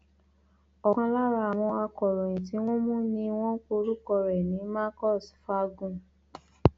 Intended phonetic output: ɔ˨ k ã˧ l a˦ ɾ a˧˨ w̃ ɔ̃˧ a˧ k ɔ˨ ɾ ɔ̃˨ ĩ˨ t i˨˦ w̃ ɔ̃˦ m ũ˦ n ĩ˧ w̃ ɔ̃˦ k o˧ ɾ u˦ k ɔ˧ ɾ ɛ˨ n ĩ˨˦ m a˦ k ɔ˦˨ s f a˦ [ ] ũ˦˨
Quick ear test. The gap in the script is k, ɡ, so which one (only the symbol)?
ɡ